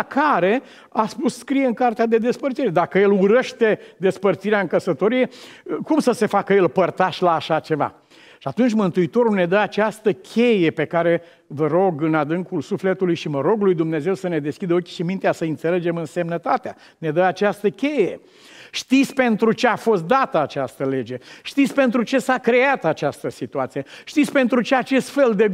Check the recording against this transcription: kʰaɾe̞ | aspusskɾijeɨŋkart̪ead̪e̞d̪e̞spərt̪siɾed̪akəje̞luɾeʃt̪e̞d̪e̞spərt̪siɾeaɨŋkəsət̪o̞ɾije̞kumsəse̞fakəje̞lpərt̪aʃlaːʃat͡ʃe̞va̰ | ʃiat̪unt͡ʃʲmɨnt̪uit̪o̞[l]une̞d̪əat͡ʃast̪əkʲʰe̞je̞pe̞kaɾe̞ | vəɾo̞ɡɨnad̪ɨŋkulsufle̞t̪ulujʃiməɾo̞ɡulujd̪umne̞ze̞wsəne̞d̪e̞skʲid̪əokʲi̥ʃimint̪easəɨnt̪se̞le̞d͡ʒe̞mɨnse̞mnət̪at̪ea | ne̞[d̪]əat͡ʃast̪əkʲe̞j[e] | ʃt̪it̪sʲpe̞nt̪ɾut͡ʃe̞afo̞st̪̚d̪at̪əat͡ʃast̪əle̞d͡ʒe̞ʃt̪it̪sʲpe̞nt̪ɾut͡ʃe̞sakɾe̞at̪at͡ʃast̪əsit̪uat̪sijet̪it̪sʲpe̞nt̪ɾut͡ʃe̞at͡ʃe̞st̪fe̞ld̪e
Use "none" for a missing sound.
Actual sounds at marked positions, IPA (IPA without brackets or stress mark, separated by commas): ɾ, d̪, e